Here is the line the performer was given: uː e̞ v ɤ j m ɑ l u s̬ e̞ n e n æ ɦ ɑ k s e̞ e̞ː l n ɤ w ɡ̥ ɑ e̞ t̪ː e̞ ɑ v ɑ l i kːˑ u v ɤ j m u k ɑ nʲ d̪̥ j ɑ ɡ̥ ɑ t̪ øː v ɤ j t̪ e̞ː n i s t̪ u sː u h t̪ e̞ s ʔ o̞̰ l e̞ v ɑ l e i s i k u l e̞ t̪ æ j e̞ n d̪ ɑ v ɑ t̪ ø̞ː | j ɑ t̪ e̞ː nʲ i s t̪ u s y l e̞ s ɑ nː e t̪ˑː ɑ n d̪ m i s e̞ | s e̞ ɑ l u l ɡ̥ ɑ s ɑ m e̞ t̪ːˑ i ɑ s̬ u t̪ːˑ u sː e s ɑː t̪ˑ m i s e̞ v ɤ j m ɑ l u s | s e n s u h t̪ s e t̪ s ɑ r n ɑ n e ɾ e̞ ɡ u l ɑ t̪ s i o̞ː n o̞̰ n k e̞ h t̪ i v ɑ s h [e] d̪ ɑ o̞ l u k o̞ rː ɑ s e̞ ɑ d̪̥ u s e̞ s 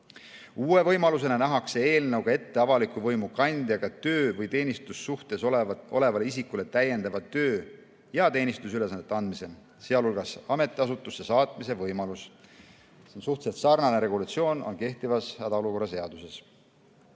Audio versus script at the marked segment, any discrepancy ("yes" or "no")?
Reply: yes